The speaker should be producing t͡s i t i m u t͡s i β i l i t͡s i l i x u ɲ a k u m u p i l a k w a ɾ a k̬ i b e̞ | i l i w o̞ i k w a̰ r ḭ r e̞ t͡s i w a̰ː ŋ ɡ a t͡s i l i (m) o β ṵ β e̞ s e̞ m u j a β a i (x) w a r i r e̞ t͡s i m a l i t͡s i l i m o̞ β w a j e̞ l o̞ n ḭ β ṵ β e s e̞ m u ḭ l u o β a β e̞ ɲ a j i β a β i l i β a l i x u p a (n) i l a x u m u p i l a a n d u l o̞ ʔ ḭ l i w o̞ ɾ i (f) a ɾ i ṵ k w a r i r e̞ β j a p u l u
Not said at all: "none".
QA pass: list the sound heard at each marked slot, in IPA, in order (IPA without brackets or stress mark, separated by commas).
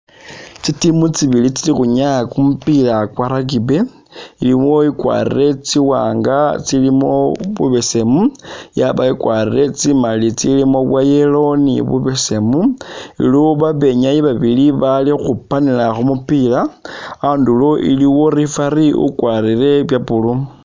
m, k, n, f